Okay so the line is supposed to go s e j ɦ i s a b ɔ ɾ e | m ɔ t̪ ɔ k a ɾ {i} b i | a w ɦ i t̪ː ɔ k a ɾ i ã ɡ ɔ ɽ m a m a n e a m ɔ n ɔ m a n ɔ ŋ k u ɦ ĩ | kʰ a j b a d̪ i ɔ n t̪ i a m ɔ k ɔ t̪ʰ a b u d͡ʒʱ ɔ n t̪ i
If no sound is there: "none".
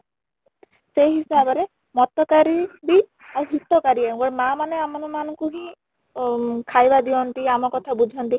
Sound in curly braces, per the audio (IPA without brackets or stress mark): i